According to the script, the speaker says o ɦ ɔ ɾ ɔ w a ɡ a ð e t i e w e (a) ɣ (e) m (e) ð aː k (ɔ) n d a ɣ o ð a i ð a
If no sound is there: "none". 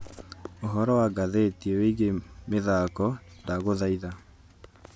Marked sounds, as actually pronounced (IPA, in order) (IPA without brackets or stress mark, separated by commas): i, e, e, ɔ